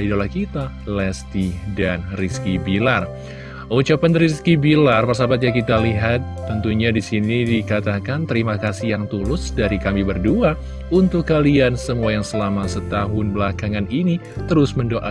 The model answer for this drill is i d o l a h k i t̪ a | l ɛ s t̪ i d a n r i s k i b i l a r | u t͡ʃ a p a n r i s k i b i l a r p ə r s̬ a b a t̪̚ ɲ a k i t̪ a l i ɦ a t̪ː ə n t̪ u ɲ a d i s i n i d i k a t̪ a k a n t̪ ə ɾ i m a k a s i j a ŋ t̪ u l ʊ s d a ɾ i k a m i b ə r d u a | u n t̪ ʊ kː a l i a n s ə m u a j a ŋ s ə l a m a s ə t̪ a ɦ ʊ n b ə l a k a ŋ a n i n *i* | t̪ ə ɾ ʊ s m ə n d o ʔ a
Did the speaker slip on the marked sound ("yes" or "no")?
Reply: no